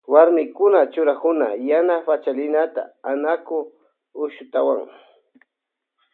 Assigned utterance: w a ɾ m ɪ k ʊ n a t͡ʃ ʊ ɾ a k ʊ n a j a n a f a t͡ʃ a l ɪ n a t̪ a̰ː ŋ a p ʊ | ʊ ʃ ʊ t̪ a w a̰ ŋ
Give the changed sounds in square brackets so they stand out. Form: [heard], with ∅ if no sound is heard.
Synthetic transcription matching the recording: w a ɾ m ɪ k ʊ n a t͡ʃ ʊ ɾ a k ʊ n a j a n a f a t͡ʃ a l ɪ n a t̪ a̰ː [n] a [k] ʊ | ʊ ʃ ʊ t̪ a w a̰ ŋ